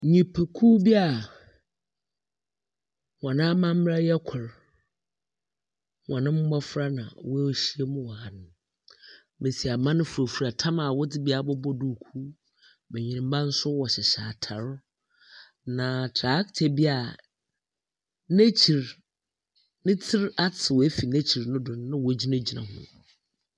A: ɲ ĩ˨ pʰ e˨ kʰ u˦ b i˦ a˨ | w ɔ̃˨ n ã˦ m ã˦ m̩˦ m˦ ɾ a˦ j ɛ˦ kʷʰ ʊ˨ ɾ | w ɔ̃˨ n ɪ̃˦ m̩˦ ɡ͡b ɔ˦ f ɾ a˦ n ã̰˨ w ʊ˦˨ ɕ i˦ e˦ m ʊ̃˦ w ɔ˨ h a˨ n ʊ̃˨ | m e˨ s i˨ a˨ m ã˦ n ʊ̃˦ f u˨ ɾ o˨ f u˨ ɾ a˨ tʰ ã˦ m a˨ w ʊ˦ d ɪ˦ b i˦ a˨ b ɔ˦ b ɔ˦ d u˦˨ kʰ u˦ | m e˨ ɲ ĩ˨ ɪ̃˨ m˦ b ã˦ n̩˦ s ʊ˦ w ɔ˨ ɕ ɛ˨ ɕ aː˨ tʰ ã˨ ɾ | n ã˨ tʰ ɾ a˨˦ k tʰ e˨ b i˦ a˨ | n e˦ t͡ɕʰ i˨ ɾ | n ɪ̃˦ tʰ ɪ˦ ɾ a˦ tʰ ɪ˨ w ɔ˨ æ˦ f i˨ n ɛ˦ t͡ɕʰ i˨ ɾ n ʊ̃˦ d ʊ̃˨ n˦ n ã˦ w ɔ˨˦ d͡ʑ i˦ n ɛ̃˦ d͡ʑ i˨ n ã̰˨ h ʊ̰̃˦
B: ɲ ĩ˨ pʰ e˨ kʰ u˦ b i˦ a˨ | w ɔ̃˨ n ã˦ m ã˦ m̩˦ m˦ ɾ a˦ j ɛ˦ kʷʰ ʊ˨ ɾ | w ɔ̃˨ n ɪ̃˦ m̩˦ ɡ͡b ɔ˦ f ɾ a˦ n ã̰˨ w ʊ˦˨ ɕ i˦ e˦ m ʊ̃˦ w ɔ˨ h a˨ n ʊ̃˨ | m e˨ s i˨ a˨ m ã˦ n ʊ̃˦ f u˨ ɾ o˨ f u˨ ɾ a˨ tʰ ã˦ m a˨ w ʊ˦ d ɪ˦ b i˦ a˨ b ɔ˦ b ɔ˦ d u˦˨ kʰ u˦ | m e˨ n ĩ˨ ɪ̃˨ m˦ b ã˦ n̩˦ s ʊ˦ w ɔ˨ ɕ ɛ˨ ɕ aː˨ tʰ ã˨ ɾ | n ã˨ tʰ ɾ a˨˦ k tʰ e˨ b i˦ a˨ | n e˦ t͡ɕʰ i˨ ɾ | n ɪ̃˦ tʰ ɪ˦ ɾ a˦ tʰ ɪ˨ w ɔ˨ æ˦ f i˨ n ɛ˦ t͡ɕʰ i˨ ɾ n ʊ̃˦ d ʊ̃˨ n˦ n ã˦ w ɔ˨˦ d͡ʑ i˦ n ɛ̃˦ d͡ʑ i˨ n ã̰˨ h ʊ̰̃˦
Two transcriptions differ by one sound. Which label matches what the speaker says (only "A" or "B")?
A